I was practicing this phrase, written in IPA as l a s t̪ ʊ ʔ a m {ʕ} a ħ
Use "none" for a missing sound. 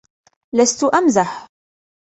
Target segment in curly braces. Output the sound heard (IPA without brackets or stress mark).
z